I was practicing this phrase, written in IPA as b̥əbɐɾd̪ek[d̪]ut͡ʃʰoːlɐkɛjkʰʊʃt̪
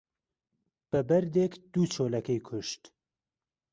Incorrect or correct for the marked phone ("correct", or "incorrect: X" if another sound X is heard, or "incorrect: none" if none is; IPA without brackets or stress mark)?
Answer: correct